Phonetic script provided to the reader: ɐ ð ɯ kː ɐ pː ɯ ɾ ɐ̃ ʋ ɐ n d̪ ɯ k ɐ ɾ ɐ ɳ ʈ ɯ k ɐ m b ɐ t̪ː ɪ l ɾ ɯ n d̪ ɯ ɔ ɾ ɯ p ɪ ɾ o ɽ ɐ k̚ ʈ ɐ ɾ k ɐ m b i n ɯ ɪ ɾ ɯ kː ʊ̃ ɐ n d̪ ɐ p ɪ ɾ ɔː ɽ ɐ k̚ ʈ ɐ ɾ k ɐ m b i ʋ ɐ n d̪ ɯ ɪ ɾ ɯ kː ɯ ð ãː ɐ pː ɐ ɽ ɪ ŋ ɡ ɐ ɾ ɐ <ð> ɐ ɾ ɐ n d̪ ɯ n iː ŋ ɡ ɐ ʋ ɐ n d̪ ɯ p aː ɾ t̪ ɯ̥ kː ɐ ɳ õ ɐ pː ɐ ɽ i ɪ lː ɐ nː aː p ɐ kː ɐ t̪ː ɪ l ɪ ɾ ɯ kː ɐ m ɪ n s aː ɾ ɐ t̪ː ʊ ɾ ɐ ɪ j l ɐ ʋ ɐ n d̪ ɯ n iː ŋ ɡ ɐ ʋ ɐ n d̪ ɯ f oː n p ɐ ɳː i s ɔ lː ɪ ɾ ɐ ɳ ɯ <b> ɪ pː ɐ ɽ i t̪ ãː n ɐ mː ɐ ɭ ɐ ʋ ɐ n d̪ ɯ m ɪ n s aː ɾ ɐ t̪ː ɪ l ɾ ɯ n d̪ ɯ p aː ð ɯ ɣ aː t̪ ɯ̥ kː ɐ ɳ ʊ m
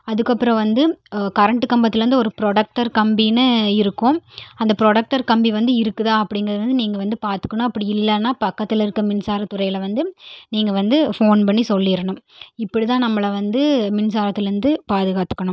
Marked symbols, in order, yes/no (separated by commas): yes, no